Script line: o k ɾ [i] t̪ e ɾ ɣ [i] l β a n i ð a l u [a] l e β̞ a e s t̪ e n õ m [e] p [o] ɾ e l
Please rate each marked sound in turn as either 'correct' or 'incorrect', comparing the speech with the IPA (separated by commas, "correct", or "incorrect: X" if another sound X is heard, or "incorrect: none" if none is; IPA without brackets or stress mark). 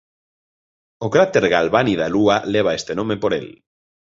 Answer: incorrect: a, incorrect: a, correct, correct, correct